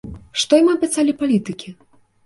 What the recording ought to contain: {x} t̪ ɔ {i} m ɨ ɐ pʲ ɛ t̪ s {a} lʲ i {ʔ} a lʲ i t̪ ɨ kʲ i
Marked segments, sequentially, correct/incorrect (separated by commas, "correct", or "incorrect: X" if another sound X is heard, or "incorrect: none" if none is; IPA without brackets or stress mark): incorrect: ʂ, incorrect: j, correct, incorrect: p